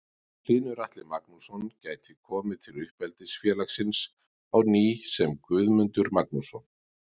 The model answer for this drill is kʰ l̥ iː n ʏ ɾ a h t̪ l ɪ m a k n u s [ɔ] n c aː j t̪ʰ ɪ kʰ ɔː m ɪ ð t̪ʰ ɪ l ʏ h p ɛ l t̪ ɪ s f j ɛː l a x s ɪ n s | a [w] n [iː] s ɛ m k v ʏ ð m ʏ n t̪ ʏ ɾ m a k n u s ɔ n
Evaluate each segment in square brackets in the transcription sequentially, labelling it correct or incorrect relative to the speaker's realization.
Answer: correct, correct, correct

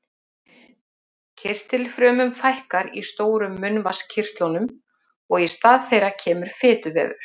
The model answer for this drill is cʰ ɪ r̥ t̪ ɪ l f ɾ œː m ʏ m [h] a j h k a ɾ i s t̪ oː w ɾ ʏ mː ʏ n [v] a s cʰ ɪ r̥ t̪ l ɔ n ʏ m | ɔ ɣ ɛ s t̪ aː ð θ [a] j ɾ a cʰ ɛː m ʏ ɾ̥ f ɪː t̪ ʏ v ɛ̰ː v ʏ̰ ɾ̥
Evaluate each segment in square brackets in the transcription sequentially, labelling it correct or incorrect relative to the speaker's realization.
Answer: incorrect: f, correct, incorrect: e

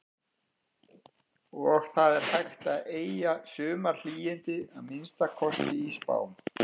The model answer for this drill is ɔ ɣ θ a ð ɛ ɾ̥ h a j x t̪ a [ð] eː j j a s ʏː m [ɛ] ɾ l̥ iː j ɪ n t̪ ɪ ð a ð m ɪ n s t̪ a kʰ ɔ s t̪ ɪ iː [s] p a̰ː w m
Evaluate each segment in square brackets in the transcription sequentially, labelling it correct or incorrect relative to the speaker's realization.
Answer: correct, incorrect: a, correct

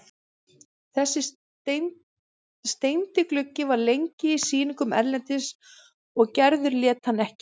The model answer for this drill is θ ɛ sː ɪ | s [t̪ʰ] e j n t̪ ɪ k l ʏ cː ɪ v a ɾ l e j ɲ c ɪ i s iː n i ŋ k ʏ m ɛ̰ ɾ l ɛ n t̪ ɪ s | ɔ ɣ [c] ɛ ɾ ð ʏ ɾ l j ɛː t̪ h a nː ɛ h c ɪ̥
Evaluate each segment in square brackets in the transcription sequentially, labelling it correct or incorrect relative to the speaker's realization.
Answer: incorrect: t̪, correct

